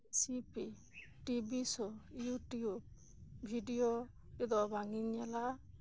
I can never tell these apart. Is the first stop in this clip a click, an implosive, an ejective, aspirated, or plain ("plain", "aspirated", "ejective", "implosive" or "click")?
plain